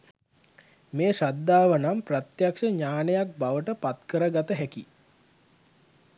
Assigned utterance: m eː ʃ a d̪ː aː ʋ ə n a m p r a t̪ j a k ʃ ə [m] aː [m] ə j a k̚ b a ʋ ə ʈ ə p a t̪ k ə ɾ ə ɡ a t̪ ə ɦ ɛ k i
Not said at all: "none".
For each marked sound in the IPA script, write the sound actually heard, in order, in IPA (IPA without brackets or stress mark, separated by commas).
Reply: ɲ, n